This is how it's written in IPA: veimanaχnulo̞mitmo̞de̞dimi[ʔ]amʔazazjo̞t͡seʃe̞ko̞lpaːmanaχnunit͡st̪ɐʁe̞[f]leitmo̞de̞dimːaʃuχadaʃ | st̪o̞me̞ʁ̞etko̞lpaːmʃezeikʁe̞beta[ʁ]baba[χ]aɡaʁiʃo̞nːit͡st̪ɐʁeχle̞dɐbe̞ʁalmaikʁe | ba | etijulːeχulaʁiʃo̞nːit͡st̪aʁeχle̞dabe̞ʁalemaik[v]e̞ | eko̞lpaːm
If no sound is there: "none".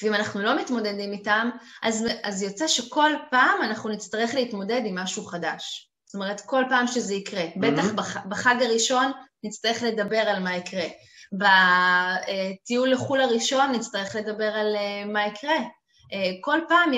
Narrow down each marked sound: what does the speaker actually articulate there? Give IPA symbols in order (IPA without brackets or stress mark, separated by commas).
t, χ, χ, χ, ʁ